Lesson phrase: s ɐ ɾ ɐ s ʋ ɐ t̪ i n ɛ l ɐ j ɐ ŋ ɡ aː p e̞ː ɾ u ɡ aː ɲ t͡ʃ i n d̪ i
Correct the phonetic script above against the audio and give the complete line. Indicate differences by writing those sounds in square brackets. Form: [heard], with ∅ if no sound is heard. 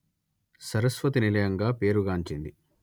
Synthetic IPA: s ɐ ɾ ɐ s ʋ ɐ t̪ i n [i] l ɐ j ɐ ŋ ɡ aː p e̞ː ɾ u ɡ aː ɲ t͡ʃ i n d̪ i